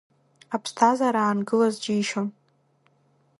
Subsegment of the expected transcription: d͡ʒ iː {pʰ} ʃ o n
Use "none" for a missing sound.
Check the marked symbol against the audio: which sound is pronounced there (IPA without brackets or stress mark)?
none